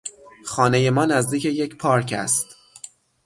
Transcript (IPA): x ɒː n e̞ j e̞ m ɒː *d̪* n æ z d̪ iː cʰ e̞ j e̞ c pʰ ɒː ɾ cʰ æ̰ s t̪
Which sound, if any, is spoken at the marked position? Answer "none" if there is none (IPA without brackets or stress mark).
none